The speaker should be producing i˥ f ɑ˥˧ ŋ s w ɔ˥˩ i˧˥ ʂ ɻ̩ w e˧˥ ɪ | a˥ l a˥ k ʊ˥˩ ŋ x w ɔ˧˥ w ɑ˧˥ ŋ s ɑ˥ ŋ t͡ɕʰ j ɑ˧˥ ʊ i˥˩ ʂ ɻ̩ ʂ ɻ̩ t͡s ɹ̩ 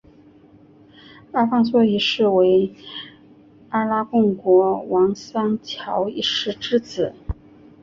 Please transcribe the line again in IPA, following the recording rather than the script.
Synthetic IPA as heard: a˥ f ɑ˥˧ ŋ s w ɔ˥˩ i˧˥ ʂ ɻ̩ w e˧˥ ɪ | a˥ l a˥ k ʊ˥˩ ŋ k w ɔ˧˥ w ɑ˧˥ ŋ s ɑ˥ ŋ t͡ɕʰ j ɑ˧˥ ʊ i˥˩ ʂ ɻ̩ ʈ͡ʂ ɻ̩ t͡s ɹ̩

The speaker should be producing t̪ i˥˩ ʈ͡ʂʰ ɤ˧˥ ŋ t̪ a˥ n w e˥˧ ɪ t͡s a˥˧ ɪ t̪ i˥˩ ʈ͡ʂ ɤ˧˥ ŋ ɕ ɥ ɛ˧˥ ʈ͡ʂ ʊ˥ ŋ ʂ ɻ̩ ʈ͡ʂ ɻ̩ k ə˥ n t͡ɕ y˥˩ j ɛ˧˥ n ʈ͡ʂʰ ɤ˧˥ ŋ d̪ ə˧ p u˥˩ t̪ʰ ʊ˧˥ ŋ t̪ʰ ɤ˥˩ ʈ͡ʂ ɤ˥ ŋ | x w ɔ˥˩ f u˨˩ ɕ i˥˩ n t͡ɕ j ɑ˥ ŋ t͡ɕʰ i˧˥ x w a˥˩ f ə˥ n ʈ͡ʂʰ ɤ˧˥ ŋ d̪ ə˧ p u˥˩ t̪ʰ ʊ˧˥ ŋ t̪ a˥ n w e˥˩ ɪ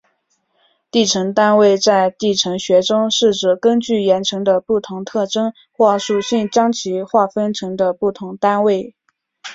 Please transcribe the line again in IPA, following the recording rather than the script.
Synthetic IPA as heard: t̪ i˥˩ ʈ͡ʂʰ ɤ˧˥ ŋ t̪ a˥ n w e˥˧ ɪ t͡s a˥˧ ɪ t̪ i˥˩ ʈ͡ʂʰ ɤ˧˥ ŋ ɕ ɥ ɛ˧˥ ʈ͡ʂ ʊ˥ ŋ ʂ ɻ̩ ʈ͡ʂ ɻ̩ k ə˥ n t͡ɕ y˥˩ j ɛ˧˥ n ʈ͡ʂʰ ɤ˧˥ ŋ d̪ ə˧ p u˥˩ t̪ʰ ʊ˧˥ ŋ t̪ʰ ɤ˥˩ ʈ͡ʂ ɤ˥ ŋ | x w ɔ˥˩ ʂ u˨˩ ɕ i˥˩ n t͡ɕ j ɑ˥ ŋ t͡ɕʰ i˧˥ x w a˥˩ f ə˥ n ʈ͡ʂʰ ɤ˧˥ ŋ d̪ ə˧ p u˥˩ t̪ʰ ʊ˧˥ ŋ t̪ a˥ n w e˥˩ ɪ

